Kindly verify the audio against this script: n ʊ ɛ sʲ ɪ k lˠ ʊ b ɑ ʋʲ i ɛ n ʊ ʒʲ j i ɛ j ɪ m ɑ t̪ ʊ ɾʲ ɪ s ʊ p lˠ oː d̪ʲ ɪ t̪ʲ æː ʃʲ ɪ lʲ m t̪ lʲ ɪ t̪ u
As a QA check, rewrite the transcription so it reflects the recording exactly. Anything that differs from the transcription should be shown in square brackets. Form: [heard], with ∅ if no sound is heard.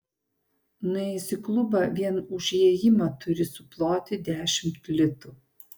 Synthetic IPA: n ʊ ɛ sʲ ɪ k lˠ ʊ b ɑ ʋʲ i ɛ n ʊ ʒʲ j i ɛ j ɪ m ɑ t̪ ʊ ɾʲ ɪ s ʊ p lˠ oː [t̪ʲ] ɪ [d̪ʲ] æː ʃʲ ɪ [∅] m t̪ lʲ ɪ t̪ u